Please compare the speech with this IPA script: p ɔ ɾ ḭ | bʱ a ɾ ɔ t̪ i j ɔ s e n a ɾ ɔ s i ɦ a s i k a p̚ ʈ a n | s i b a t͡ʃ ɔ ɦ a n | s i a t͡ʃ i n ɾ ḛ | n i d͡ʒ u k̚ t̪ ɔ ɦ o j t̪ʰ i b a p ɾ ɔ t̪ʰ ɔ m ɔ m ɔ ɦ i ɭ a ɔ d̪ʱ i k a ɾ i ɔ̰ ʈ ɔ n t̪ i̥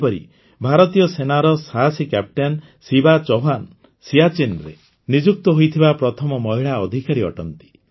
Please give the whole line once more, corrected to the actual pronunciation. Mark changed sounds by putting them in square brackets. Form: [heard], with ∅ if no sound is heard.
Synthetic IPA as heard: p ɔ ɾ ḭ | bʱ a ɾ ɔ t̪ i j ɔ s e n a ɾ ɔ s [a] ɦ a s i k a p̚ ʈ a n | s i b a t͡ʃ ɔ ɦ a n | s i a t͡ʃ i n ɾ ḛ | n i d͡ʒ u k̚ t̪ ɔ ɦ o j t̪ʰ i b a p ɾ ɔ t̪ʰ ɔ m ɔ m ɔ ɦ i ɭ a ɔ d̪ʱ i k a ɾ i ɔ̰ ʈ ɔ n t̪ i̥

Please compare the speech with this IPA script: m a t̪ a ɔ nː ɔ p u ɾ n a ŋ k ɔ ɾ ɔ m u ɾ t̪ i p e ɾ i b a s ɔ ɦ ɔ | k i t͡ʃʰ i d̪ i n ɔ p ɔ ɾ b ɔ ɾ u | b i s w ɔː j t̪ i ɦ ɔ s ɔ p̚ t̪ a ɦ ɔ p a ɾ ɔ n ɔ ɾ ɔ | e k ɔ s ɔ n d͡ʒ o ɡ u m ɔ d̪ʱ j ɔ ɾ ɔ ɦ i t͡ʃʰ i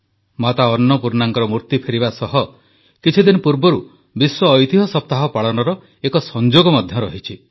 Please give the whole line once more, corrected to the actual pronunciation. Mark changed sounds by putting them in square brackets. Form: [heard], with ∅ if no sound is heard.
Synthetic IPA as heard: m a t̪ a ɔ nː ɔ p u ɾ n a ŋ k ɔ ɾ ɔ m u ɾ t̪ i [pʰ] e ɾ i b a s ɔ ɦ ɔ | k i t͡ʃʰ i d̪ i n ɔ p [u] ɾ b ɔ ɾ u | b i s w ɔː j t̪ i ɦ ɔ s ɔ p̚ t̪ a ɦ ɔ p a [ɭ] ɔ n ɔ ɾ ɔ | e k ɔ s ɔ n d͡ʒ o ɡ [ɔ] m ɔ d̪ʱ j ɔ ɾ ɔ ɦ i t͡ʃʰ i

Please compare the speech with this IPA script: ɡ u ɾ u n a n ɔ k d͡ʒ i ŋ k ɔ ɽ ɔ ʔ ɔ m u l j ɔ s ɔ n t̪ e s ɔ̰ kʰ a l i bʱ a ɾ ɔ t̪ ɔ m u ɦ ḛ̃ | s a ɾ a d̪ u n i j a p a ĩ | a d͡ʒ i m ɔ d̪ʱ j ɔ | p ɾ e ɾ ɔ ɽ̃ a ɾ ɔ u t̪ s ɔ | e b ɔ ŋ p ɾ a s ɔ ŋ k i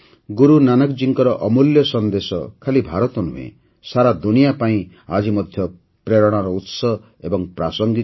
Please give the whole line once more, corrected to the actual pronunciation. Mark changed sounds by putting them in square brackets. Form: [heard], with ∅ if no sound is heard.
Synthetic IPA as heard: ɡ u ɾ u n a n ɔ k d͡ʒ i ŋ k ɔ [ɾ] ɔ ʔ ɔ m u l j ɔ s ɔ n [d̪] e s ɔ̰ kʰ a l i bʱ a ɾ ɔ t̪ ɔ [n] u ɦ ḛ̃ | s a ɾ a d̪ u n i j a p a ĩ | a d͡ʒ i m ɔ d̪ʱ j ɔ | p ɾ e ɾ ɔ ɽ̃ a ɾ ɔ u t̪ s ɔ | e b ɔ ŋ p ɾ a s ɔ ŋ [ɡ] i

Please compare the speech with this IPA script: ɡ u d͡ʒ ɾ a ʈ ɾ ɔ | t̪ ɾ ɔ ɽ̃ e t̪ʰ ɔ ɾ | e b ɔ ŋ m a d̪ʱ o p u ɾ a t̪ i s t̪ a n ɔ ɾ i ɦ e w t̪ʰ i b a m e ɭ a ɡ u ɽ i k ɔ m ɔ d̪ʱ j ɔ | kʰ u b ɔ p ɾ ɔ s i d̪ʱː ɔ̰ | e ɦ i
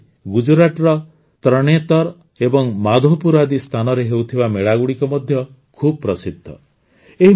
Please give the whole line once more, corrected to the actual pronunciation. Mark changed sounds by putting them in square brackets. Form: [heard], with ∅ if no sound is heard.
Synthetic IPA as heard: ɡ u d͡ʒ ɾ a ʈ ɾ ɔ | t̪ ɾ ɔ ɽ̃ e [t̪] ɔ ɾ | e b ɔ ŋ m a d̪ʱ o p u ɾ a [d̪] i s [t̪ʰ] a n ɔ ɾ [e] ɦ e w t̪ʰ i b a m e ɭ a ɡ u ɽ i k ɔ m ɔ d̪ʱ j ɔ | kʰ u b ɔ p ɾ ɔ s i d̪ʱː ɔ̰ | e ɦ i

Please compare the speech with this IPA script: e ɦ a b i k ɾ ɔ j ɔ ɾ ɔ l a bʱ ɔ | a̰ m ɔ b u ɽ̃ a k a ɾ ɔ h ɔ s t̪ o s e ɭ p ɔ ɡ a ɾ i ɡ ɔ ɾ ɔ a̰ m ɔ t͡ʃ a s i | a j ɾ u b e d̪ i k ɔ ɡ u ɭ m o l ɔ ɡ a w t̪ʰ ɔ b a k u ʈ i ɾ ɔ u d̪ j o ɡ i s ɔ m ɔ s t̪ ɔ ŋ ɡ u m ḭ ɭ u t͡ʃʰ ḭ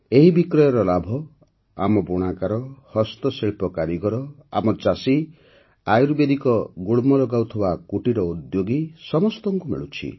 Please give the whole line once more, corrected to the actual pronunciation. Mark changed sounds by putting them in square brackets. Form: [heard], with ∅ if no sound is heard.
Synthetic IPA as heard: e ɦ [i] b i k ɾ ɔ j ɔ ɾ ɔ l a bʱ ɔ | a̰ m ɔ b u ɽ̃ a k a ɾ ɔ h ɔ s t̪ [ɔ] s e ɭ p ɔ [k] a ɾ i ɡ ɔ ɾ ɔ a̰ m ɔ t͡ʃ a s i | a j ɾ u b e d̪ i k ɔ ɡ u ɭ m [ɔ] l ɔ ɡ a w t̪ʰ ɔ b a k u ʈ i ɾ ɔ u d̪ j o ɡ i s ɔ m ɔ s t̪ ɔ ŋ [k] u m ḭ ɭ u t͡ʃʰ ḭ

